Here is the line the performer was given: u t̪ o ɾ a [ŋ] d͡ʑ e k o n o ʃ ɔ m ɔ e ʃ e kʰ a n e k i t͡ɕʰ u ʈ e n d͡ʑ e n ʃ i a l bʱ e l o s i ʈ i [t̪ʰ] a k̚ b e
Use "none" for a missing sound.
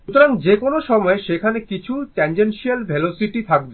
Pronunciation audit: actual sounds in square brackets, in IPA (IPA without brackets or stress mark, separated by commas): ŋ, t̪ʰ